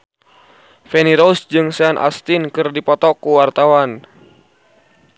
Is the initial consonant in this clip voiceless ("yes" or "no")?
yes